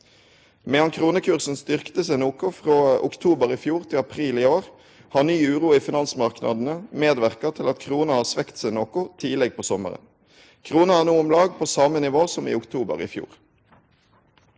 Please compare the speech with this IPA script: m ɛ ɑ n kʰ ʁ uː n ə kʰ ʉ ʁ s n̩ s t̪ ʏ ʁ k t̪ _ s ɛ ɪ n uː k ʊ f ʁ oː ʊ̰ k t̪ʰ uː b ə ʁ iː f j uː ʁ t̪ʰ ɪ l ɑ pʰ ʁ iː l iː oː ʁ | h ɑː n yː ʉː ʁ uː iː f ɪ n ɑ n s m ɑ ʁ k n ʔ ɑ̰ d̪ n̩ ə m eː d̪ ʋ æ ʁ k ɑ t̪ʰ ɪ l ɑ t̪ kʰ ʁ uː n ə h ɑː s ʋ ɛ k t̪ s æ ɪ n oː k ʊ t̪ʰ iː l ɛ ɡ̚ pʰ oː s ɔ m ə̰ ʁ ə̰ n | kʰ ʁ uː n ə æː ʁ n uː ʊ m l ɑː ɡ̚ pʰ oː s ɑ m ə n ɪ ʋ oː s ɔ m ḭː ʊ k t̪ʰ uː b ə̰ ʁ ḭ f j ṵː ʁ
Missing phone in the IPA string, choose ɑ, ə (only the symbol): ə